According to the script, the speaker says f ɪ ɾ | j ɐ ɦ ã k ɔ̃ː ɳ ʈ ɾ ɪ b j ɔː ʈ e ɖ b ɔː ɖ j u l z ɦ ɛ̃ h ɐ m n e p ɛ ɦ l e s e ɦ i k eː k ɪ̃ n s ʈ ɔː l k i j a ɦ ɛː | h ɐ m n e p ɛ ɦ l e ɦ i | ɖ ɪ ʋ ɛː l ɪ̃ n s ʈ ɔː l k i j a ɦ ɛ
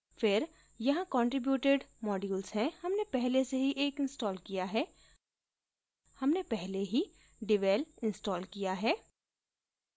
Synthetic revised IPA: f ɪ ɾ | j ɐ ɦ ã k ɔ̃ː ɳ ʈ ɾ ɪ b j uː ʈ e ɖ m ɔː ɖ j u l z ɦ ɛ̃ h ɐ m n e p ɛ ɦ l e s e ɦ i ʔ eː k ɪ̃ n s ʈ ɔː l k i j a ɦ ɛː | h ɐ m n e p ɛ ɦ l e ɦ i | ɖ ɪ ʋ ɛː l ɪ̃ n s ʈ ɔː l k i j a ɦ ɛː